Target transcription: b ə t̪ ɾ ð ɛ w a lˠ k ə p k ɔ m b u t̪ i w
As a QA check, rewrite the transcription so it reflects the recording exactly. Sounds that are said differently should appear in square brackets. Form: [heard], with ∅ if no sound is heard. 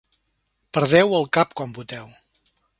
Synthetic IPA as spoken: [p] ə [∅] ɾ ð ɛ w [ə] lˠ k [a] p k ɔ m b u t̪ [ɛ] w